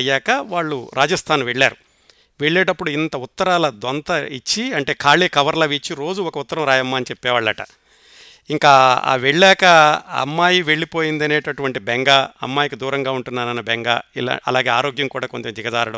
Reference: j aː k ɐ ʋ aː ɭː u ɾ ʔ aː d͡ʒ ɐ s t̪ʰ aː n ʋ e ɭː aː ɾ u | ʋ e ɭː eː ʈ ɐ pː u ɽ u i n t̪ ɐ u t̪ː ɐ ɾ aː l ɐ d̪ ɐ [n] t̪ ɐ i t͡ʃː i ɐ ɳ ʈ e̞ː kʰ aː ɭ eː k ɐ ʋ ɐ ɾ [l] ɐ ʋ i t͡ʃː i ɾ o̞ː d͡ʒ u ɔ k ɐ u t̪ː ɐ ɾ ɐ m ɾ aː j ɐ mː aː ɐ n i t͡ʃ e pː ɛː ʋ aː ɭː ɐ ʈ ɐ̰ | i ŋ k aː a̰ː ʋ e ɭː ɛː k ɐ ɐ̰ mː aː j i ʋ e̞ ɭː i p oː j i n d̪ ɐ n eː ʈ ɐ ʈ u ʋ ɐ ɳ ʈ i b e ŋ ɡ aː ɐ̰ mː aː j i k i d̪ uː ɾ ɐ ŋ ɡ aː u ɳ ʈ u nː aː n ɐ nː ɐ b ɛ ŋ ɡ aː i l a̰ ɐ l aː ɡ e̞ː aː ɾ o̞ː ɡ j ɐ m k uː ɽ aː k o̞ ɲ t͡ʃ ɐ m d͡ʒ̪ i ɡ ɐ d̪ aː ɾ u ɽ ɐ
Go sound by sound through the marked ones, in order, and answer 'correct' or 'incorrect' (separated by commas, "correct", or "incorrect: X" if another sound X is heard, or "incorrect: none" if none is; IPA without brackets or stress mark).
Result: correct, correct